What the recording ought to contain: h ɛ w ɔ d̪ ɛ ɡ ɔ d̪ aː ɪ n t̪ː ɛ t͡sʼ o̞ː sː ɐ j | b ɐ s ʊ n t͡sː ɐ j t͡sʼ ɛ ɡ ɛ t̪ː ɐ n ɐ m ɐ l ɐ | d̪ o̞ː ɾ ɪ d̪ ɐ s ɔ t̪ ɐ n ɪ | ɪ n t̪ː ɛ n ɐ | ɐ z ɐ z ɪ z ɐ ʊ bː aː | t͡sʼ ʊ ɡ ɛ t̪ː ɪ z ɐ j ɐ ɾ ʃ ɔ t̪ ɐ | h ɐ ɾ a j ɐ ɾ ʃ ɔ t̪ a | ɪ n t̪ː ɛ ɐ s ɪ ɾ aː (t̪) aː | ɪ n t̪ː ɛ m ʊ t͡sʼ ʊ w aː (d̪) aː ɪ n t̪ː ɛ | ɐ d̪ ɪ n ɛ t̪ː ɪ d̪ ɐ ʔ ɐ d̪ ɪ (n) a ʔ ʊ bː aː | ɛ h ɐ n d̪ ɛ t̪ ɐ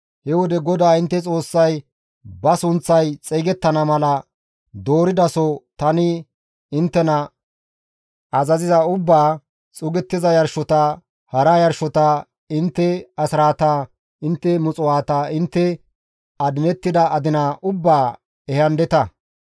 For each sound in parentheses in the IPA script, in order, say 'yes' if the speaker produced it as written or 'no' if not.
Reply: yes, no, yes

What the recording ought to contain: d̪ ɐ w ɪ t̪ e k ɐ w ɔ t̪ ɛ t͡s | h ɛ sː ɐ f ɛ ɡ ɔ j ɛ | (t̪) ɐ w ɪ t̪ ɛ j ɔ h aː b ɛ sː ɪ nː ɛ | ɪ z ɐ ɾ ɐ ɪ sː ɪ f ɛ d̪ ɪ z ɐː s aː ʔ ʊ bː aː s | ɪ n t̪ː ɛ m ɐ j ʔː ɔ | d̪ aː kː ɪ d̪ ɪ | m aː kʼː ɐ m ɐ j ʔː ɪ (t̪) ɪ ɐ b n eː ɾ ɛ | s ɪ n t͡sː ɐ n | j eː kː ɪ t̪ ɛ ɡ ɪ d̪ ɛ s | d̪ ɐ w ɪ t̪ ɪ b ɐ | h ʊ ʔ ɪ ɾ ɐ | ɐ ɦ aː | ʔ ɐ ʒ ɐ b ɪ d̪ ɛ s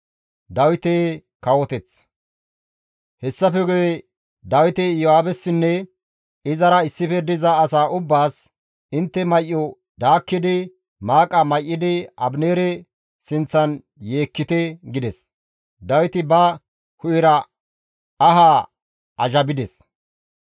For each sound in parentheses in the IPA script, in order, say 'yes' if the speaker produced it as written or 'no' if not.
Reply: no, no

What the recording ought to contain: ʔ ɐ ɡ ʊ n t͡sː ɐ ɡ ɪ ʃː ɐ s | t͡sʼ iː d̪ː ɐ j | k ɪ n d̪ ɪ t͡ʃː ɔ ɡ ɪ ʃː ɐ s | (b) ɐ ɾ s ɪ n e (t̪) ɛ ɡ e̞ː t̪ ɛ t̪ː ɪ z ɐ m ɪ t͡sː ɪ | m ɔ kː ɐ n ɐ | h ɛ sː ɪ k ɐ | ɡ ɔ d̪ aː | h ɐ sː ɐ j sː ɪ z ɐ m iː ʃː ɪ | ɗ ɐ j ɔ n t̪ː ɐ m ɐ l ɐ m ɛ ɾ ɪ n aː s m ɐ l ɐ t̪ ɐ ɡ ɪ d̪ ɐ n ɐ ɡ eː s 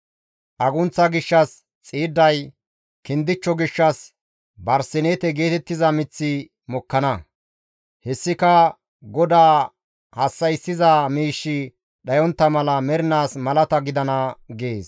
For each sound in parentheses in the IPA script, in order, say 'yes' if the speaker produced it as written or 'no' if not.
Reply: yes, yes

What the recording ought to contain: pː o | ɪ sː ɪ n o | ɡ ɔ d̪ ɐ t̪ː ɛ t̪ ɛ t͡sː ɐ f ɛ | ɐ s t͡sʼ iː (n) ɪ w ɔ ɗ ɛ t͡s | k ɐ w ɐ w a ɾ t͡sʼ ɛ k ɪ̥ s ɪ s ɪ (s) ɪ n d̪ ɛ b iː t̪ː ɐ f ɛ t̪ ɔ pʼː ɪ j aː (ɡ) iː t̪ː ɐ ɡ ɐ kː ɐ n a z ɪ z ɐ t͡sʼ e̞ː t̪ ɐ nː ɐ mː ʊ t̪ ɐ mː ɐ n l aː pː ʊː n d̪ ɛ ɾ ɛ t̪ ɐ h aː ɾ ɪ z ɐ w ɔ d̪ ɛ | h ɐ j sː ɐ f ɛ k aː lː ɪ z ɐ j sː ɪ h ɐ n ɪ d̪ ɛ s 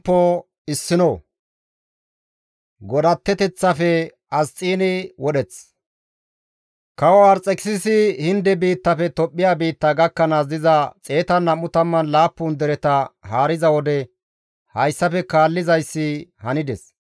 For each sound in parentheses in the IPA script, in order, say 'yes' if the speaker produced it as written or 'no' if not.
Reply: yes, no, no

